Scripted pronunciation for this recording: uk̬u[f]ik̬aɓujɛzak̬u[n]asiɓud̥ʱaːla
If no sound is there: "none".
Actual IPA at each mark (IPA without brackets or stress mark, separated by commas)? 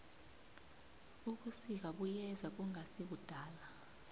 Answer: s, ŋ